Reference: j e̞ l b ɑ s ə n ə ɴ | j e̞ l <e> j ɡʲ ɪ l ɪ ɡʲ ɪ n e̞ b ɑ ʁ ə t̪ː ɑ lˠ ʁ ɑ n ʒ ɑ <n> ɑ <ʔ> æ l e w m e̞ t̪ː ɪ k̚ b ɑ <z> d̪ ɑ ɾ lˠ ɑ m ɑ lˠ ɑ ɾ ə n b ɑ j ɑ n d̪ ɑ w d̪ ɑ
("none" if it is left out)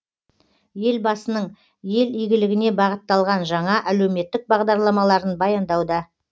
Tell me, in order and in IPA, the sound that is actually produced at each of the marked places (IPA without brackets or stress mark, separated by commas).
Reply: i, ɴ, ʔ, ʁ